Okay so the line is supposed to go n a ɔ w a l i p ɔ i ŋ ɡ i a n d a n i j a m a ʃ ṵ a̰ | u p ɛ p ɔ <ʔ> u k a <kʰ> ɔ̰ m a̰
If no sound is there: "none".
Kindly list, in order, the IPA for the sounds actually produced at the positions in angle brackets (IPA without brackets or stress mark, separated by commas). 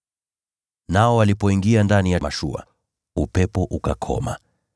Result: ʔ, kʰ